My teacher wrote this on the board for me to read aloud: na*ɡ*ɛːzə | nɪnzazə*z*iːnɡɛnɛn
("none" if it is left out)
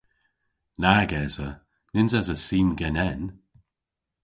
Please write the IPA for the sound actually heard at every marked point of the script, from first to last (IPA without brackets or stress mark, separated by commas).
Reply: ɡ, s